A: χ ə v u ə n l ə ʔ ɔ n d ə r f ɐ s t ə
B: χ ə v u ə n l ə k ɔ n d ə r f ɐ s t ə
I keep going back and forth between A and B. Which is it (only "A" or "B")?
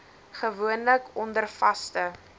B